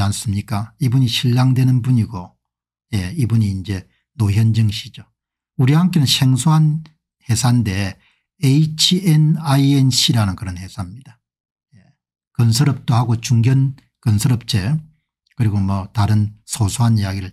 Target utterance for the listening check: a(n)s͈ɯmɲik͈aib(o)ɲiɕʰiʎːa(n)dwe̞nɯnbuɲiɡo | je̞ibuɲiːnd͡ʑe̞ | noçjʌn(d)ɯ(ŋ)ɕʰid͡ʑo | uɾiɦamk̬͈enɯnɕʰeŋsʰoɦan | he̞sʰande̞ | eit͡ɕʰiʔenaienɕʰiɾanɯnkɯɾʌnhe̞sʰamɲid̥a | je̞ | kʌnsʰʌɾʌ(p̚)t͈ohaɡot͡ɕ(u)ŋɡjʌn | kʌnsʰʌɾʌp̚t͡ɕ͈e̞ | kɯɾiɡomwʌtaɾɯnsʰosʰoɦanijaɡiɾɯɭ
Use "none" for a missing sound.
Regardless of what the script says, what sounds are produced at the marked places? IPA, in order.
n, u, ŋ, d͡ʑ, ŋ, p̚, u

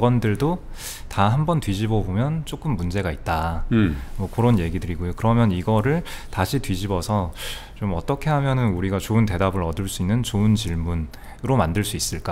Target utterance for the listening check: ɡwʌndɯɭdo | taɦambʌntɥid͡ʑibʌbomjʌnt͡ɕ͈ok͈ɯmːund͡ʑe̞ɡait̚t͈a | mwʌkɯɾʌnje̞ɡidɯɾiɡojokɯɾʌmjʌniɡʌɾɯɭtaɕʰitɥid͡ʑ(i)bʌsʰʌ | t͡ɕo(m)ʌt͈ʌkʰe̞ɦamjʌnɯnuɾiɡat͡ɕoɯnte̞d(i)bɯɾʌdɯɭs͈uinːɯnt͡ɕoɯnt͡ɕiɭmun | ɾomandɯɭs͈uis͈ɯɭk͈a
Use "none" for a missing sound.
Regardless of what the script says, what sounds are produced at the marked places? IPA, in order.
i, m, a

